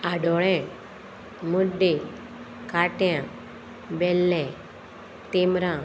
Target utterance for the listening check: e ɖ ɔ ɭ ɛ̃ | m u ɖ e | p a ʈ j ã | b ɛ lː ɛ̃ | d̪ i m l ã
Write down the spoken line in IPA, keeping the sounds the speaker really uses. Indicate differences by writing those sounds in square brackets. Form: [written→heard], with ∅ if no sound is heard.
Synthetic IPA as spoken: [e→a] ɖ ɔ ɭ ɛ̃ | m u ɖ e | [p→k] a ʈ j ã | b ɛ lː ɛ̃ | [d̪→t̪] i m [l→ɾ] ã

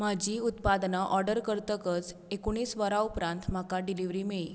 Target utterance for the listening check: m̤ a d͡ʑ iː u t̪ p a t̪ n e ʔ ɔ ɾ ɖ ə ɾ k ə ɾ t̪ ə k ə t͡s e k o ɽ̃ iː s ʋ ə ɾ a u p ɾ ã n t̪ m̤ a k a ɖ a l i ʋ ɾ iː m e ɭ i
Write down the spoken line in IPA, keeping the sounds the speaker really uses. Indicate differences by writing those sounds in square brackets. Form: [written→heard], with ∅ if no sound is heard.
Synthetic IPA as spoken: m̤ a d͡ʑ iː u t̪ p a [t̪→d̪] n [e→a] ʔ ɔ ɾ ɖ ə ɾ k ə ɾ t̪ ə k ə t͡s e k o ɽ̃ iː s ʋ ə ɾ a u p ɾ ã n t̪ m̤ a k a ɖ [a→i] l i ʋ ɾ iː m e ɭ i

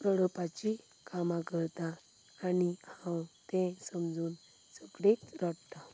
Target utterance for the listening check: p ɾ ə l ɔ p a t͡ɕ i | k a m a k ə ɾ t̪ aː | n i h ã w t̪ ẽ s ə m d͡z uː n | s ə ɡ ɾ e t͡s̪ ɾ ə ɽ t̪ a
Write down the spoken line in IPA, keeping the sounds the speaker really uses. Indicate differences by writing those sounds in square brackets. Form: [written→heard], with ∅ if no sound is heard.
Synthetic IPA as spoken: p ɾ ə [l→ɽ] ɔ p a t͡ɕ i | k a m a k ə ɾ t̪ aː | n i h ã w t̪ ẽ s ə m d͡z uː n | s ə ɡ [ɾ→ɽ] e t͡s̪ ɾ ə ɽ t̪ a

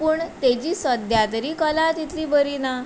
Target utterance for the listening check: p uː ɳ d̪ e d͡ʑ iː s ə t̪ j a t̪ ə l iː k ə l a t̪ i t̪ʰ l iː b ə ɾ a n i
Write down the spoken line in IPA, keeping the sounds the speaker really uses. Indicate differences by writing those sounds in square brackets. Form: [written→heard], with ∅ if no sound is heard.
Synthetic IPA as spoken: p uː ɳ [d̪→t̪] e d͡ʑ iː s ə [t̪→d̪] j a t̪ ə [l→ɾ] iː k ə l a t̪ i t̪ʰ l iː b ə ɾ [a→i] n [i→a]

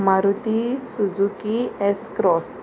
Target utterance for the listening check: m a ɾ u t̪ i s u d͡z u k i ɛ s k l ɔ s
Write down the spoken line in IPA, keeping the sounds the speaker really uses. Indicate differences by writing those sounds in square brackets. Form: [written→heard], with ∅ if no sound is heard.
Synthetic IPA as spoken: m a ɾ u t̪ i s u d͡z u k i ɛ s k [l→ɾ] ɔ s

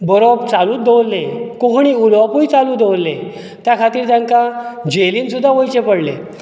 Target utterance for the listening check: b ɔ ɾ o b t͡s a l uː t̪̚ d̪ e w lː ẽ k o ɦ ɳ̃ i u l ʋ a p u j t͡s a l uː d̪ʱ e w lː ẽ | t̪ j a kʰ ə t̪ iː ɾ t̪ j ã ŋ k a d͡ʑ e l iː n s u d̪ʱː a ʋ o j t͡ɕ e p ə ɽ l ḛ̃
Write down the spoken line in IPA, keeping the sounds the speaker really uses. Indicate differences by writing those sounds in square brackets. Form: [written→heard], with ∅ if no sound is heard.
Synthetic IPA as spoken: b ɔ ɾ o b t͡s a l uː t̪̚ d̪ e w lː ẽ k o ɦ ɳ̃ i u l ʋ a p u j t͡s a l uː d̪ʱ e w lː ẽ | t̪ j a kʰ [ə→a] t̪ iː ɾ t̪ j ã ŋ k a d͡ʑ e l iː n s u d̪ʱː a ʋ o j t͡ɕ e p ə ɽ l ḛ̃

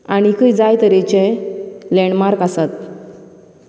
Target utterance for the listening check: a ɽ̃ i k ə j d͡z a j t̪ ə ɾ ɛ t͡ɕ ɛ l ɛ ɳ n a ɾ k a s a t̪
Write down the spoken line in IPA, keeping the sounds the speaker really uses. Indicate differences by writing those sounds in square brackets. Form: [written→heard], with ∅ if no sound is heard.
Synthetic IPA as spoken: a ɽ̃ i k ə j d͡z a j t̪ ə ɾ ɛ t͡ɕ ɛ l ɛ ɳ [n→m] a ɾ k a s a t̪

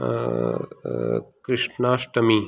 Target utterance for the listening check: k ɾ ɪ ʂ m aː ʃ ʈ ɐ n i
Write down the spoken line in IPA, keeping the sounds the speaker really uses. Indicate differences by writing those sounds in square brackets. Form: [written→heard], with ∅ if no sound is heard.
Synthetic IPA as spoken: k ɾ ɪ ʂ [m→n] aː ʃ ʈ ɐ [n→m] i

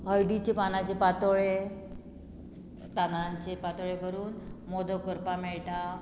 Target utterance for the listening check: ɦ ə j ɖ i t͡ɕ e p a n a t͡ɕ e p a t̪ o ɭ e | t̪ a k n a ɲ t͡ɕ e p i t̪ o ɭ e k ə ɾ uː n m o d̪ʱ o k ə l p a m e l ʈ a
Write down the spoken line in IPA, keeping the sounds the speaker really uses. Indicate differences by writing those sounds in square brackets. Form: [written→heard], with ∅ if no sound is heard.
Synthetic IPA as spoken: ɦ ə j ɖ i t͡ɕ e p a n a t͡ɕ e p a t̪ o ɭ e | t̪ a [k→∅] n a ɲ t͡ɕ e p [i→a] t̪ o ɭ e k ə ɾ uː n m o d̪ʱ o k ə [l→ɾ] p a m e [l→ɭ] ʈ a

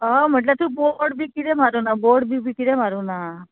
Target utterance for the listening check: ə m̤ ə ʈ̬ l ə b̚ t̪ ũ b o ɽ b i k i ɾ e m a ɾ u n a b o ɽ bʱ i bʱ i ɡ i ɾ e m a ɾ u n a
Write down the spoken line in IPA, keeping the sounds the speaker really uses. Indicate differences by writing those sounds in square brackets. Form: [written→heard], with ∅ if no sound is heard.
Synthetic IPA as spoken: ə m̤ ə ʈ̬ l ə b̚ t̪ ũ b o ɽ b i k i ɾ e m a ɾ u n a b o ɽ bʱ i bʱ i [ɡ→k] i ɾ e m a ɾ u n a

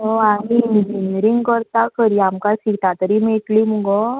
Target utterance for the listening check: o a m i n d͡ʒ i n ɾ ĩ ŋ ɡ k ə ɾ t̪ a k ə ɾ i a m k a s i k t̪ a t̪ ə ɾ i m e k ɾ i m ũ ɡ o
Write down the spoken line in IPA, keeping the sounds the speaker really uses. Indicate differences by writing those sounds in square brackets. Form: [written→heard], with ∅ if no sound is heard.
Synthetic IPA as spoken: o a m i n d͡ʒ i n ɾ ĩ ŋ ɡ k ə ɾ t̪ a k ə ɾ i a m k a s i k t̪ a t̪ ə ɾ i m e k [ɾ→l] i m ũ ɡ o

